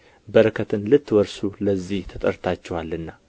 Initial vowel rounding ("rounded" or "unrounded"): unrounded